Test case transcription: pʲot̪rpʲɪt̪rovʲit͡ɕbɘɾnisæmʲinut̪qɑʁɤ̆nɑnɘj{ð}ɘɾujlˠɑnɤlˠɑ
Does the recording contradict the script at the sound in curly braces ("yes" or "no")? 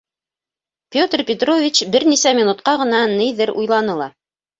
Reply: no